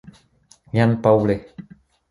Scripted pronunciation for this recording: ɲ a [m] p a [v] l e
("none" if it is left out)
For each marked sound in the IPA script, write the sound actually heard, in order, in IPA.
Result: n, w

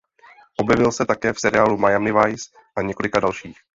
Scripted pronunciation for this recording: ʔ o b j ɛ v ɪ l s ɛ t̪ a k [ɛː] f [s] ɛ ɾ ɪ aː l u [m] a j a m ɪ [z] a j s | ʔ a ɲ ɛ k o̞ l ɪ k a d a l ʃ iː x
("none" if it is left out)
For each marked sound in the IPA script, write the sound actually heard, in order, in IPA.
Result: ɛː, s, m, v

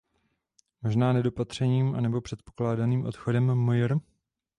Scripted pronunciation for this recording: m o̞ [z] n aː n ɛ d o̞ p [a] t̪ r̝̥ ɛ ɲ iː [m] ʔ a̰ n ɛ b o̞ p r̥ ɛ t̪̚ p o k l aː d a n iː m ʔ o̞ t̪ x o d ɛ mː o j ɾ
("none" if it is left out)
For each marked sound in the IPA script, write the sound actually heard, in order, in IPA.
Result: ʒ, a, m

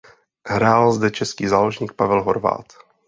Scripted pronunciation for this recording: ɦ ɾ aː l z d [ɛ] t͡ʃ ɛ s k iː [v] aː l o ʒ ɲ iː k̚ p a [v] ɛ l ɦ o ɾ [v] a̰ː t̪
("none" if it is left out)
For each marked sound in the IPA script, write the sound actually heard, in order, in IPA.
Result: ɛ, z, v, v

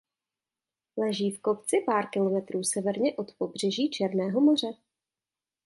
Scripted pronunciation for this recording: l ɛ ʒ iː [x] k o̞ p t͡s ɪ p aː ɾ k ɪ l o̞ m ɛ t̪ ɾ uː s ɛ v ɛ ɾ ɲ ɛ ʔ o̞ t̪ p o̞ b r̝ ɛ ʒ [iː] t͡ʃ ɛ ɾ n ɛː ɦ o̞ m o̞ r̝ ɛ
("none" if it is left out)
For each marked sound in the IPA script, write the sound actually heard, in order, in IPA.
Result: f, iː

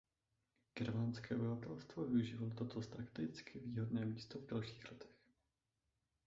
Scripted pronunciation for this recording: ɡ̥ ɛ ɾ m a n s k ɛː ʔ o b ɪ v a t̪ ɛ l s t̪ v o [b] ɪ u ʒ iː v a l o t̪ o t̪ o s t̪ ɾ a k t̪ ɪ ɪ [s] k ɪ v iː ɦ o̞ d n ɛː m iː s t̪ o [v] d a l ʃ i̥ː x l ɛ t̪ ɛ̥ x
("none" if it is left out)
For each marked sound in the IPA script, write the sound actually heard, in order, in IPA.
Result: v, t͡s, v

